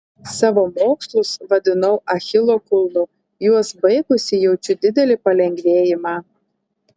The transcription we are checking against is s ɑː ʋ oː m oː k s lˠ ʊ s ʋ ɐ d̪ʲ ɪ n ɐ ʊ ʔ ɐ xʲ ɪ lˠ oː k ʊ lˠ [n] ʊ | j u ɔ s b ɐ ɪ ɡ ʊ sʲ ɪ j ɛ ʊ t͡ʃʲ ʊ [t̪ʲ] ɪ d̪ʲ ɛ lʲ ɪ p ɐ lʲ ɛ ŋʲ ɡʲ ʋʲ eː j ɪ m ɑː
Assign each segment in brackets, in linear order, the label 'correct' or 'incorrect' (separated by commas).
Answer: correct, incorrect